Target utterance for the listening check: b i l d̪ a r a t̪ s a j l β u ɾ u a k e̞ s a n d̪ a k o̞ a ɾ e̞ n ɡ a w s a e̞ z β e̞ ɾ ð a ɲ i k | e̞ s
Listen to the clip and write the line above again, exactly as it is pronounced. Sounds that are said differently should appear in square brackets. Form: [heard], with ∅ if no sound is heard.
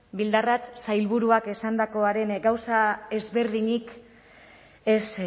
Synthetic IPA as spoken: b i l d̪ a r a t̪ s a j l β u ɾ u a k e̞ s a n d̪ a k o̞ a ɾ e̞ n ɡ a w s a e̞ z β e̞ ɾ ð [i] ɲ i k | e̞ s